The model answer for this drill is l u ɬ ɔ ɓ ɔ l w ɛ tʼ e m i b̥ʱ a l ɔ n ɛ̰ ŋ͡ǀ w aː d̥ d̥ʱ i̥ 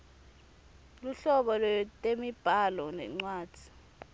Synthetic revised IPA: l u ɬ ɔ ɓ ɔ l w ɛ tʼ e m i b̥ʱ a l ɔ n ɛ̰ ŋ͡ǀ w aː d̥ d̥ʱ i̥